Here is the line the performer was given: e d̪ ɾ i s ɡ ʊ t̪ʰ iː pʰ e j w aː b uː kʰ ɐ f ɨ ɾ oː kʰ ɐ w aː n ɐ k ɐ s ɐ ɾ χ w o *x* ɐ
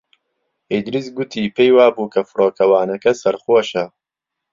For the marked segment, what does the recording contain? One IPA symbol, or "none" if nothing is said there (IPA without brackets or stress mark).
ʃ